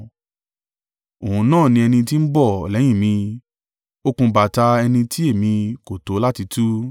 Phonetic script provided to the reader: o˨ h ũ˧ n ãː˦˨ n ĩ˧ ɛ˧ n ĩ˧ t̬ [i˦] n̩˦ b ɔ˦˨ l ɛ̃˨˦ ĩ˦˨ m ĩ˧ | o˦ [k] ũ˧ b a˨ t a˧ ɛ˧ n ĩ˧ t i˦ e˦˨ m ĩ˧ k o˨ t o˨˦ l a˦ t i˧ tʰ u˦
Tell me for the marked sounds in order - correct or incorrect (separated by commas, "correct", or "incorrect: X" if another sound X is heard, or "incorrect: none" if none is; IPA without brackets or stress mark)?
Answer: correct, correct